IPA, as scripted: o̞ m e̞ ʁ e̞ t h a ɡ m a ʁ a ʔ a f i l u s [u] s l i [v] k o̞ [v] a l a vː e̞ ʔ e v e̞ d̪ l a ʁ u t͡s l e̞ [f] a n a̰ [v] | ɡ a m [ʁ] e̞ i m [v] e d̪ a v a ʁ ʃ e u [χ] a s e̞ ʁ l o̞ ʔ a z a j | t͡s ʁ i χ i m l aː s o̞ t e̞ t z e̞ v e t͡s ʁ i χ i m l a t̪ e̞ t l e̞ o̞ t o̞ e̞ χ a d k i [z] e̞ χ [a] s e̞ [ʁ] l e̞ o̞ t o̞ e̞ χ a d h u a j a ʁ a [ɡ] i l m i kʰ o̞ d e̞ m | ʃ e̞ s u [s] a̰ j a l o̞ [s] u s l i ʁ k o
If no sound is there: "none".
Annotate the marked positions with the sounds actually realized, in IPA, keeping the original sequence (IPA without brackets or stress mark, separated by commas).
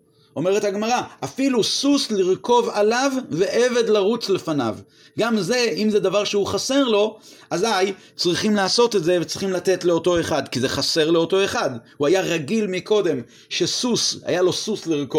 u, ʁ, v, f, v, z, z, χ, z, a, ʁ, ɡ, s, s